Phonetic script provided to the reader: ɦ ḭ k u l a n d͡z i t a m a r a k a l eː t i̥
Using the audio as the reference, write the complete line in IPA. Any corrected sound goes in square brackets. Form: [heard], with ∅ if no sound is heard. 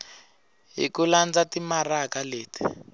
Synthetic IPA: ɦ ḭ k u l a n d͡z [a] t [i] m a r a k a l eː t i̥